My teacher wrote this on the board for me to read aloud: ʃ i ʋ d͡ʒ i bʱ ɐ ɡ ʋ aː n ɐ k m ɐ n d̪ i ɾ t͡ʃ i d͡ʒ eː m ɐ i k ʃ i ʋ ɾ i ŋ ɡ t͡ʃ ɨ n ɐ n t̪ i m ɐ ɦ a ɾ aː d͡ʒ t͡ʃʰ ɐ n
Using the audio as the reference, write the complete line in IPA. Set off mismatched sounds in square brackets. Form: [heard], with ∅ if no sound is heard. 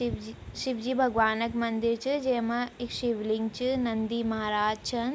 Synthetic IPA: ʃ i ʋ d͡ʒ i bʱ ɐ ɡ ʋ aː n ɐ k m ɐ n d̪ i ɾ t͡ʃ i d͡ʒ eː m ɐ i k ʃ i ʋ [l] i ŋ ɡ t͡ʃ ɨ n ɐ n [d̪] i m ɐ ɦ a ɾ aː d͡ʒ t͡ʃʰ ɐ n